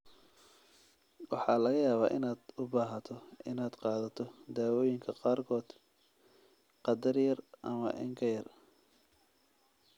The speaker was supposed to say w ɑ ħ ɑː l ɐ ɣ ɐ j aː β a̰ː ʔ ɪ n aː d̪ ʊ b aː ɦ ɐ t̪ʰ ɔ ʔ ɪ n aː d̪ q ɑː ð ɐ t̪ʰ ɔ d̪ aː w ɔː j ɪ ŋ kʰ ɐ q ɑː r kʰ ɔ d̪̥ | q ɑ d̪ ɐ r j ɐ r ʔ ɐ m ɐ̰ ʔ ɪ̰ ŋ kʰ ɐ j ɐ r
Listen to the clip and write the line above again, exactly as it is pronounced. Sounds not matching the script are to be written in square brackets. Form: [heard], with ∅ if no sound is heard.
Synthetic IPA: w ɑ ħ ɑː l ɐ ɣ ɐ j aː β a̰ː ʔ ɪ n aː d̪ ʊ b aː ɦ ɐ t̪ʰ ɔ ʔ ɪ n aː d̪ q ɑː ð ɐ t̪ʰ ɔ d̪ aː w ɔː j ɪ ŋ kʰ ɐ q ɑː r kʰ [ɔː] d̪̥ | q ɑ d̪ ɐ r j ɐ r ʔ ɐ m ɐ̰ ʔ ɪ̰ ŋ kʰ ɐ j ɐ r